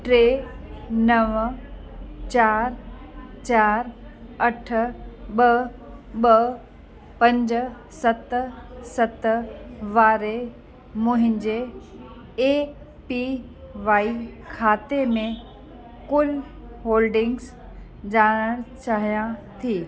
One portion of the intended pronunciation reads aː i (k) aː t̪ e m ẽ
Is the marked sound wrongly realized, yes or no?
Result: yes